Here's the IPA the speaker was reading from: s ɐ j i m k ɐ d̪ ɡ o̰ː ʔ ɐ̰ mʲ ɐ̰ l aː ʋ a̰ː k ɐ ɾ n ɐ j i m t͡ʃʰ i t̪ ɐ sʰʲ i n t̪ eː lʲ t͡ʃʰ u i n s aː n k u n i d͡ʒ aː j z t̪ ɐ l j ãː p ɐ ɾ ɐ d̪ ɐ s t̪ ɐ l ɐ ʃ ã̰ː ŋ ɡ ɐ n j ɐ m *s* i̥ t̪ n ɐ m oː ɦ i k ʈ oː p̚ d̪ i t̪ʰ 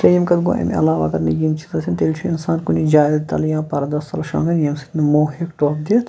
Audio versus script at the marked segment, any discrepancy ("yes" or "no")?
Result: no